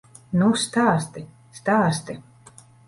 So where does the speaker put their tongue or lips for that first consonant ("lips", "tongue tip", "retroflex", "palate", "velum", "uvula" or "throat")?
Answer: tongue tip